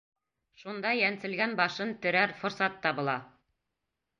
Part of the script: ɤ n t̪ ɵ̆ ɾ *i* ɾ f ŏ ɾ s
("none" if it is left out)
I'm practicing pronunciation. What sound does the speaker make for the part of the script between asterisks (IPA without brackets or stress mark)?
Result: æ